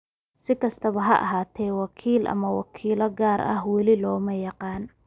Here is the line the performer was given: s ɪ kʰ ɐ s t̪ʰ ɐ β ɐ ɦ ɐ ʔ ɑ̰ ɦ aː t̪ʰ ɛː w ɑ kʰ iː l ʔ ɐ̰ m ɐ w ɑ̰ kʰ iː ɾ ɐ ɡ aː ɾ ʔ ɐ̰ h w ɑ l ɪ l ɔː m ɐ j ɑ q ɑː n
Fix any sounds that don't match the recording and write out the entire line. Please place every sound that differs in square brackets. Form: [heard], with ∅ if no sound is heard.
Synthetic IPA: s ɪ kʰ ɐ s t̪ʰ ɐ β ɐ ɦ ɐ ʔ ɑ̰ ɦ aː t̪ʰ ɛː w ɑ kʰ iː l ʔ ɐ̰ m ɐ w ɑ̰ kʰ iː [l] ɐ ɡ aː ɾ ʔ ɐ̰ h w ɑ l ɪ l ɔː m ɐ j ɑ q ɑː n